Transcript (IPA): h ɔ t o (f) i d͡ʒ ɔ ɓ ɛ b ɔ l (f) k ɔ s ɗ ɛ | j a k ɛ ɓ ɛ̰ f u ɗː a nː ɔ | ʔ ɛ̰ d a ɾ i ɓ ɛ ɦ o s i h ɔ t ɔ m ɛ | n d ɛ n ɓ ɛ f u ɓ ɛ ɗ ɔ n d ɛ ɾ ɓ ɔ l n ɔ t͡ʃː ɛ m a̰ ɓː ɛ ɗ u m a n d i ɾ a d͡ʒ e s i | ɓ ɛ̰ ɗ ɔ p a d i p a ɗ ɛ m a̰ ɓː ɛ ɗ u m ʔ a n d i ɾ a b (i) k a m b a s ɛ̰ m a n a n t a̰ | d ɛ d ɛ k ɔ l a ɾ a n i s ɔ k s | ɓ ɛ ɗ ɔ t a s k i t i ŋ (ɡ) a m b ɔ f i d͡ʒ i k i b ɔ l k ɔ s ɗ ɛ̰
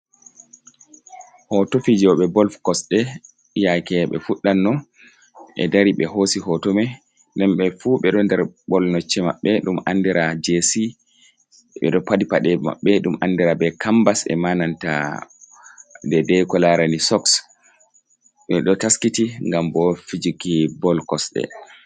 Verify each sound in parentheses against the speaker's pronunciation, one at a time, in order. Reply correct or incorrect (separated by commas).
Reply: correct, correct, incorrect, correct